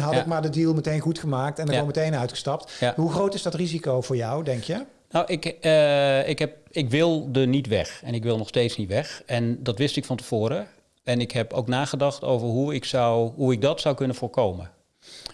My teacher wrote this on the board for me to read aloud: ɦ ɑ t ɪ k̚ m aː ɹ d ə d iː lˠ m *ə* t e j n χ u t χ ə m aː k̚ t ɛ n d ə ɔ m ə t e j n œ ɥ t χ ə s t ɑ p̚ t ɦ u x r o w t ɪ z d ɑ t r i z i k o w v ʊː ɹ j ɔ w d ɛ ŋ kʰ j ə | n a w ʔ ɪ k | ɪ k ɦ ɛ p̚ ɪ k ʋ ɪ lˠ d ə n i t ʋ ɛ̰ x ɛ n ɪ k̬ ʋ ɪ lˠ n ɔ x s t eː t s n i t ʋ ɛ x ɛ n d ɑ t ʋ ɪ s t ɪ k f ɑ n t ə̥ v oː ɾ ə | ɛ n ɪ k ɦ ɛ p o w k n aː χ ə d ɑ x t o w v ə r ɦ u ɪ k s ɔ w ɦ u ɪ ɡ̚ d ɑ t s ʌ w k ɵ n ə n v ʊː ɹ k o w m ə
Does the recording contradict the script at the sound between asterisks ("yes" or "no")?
no